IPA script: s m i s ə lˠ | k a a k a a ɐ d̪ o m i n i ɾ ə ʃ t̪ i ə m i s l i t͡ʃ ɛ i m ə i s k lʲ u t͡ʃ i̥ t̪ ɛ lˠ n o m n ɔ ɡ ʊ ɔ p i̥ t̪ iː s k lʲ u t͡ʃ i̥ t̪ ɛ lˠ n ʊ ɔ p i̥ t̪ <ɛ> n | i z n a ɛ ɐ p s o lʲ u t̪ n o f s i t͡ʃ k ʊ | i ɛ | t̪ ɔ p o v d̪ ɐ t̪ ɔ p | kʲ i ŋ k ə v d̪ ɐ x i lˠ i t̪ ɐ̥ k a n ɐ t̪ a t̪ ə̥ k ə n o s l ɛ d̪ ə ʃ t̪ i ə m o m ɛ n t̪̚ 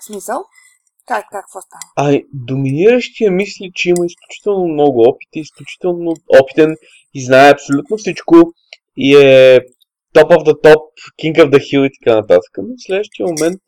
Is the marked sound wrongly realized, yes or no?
no